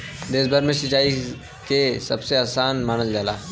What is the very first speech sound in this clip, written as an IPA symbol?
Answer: d̪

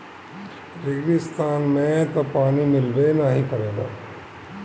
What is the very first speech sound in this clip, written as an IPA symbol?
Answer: ɾ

